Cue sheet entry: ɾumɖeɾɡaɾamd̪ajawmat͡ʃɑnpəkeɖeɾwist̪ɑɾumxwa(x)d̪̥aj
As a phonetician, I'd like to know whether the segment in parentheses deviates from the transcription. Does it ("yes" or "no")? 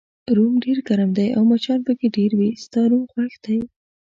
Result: no